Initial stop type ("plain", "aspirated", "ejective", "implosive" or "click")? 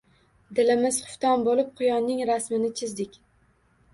plain